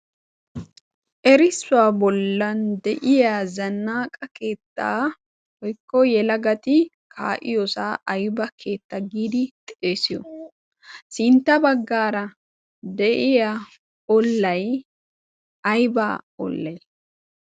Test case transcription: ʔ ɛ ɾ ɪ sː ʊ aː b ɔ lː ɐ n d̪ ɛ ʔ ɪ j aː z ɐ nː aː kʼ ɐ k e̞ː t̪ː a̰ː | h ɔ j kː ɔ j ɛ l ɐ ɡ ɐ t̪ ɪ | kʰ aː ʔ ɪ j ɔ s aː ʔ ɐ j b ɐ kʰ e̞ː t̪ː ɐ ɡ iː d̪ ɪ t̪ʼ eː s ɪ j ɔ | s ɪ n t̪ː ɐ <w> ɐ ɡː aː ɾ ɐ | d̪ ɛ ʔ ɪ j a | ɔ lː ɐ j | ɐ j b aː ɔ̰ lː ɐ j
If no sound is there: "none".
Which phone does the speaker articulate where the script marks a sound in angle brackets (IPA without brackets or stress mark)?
b